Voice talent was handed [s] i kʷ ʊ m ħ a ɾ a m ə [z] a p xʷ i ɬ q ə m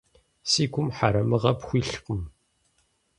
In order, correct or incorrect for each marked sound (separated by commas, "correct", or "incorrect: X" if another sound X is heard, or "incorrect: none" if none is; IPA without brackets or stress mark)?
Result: correct, incorrect: ʁ